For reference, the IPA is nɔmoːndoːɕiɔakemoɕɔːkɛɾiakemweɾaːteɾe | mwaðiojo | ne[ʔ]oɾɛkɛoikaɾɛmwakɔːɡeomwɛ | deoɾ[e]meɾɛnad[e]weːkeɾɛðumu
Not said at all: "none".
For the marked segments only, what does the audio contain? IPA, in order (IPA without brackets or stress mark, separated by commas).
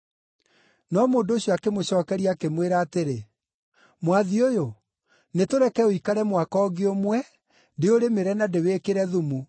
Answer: t, e, e